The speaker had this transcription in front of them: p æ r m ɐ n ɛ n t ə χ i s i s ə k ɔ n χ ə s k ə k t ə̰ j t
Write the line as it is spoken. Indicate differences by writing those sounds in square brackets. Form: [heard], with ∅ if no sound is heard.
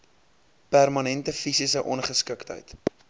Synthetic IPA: p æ r m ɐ n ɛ n t ə [f] i s i s ə [ʔ] ɔ n χ ə s k ə k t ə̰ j t